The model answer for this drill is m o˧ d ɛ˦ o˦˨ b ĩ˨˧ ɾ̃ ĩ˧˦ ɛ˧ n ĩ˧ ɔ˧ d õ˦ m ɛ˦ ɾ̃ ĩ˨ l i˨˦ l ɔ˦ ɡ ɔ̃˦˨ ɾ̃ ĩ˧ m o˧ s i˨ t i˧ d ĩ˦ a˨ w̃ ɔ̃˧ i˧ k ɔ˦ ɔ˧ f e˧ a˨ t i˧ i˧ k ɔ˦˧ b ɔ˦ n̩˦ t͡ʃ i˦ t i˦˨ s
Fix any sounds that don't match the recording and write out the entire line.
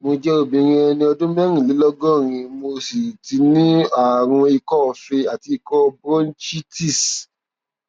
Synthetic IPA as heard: m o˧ d͡ʒ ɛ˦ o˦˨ b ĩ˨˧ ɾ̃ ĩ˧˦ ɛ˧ n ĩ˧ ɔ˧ d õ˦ m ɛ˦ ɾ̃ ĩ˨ l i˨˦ l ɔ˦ ɡ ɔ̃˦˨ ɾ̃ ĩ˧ m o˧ s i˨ t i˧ n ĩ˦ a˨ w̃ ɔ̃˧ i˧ k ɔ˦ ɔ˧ f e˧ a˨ t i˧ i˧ k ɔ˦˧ b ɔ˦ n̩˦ t͡ʃ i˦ t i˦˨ s